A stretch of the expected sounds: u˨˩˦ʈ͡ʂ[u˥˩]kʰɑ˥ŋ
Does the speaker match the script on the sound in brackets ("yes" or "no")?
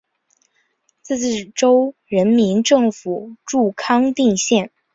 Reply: yes